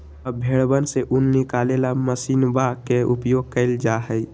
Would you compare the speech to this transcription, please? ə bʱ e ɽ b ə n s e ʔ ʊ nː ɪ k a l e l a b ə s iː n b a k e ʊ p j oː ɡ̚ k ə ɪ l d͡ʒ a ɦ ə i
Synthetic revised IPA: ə bʱ e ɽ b ə n s e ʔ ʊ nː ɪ k a l e l a m ə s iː n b a k e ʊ p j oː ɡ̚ k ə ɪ l d͡ʒ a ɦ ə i